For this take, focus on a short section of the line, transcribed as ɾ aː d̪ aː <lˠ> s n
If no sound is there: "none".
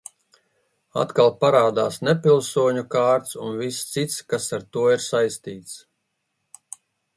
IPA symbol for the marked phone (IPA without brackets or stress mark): none